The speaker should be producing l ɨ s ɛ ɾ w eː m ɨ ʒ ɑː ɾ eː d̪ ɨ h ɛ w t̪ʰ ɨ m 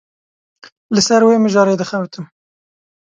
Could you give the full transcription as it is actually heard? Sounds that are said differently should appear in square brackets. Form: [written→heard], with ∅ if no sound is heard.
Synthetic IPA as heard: l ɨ s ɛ ɾ w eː m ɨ ʒ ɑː ɾ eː d̪ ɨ [h→x] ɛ w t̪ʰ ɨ m